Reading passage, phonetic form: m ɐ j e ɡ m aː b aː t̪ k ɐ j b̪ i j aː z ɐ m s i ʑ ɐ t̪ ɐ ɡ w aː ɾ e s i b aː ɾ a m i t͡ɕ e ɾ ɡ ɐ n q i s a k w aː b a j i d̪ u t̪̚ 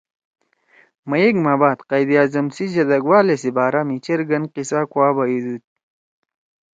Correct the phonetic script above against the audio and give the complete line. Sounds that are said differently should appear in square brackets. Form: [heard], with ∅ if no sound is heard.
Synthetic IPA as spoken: m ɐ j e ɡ m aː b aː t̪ [q] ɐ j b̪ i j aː z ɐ m s i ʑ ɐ [d̪] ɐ ɡ w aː [l] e s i b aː ɾ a m i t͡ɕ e ɾ ɡ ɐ n q i s a k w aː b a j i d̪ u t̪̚